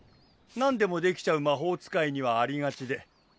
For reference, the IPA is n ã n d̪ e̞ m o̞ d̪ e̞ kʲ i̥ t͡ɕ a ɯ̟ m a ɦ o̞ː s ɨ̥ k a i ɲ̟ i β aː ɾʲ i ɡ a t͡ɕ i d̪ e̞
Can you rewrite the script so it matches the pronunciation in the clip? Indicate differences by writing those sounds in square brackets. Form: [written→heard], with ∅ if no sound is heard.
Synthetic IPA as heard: n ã n d̪ e̞ m o̞ d̪ e̞ kʲ i̥ t͡ɕ a ɯ̟ m a ɦ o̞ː [s→t͡s] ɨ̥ k a i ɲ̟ i β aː ɾʲ i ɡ a t͡ɕ i d̪ e̞